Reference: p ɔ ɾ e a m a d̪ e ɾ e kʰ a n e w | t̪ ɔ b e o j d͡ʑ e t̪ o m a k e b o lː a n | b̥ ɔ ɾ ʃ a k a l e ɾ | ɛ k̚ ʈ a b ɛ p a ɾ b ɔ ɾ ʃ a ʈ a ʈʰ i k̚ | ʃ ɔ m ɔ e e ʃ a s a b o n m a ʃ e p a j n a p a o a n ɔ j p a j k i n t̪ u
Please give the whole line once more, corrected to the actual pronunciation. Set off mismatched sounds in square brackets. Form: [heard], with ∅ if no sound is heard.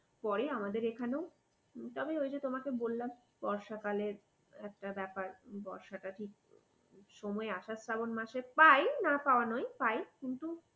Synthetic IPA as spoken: p ɔ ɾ e a m a d̪ e ɾ e kʰ a n e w | t̪ ɔ b e o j d͡ʑ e t̪ o m a k e b o lː a [m] | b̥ ɔ ɾ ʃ a k a l e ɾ | ɛ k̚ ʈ a b ɛ p a ɾ b ɔ ɾ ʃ a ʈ a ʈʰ i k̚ | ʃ ɔ m ɔ e [a] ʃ a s a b o n m a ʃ e p a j n a p a o a n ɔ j p a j k i n t̪ u